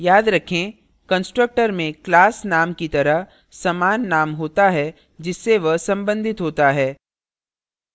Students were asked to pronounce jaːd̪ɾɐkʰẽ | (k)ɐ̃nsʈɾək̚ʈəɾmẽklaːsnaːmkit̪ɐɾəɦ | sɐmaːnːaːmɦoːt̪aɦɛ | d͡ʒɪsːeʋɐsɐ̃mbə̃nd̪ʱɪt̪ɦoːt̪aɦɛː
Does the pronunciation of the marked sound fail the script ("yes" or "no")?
no